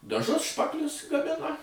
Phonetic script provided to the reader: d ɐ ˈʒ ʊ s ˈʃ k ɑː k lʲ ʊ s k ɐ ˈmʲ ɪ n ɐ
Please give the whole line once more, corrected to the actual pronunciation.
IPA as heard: d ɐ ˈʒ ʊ s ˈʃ p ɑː k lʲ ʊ s ɡ ɐ ˈmʲ ɪ n ɐ